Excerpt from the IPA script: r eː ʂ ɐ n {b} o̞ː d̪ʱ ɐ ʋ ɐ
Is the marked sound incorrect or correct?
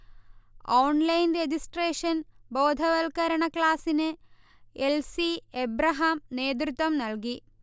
correct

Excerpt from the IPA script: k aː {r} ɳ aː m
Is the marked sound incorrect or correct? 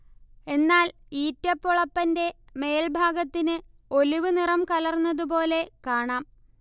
incorrect: none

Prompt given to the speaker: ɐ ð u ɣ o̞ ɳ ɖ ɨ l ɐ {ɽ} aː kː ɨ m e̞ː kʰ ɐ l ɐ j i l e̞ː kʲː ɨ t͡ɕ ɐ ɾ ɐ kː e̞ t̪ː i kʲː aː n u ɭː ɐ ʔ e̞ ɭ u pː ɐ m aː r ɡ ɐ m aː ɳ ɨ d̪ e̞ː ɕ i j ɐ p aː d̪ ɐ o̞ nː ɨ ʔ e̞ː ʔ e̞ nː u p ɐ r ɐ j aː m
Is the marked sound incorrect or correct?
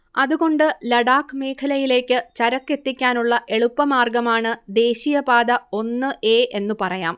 correct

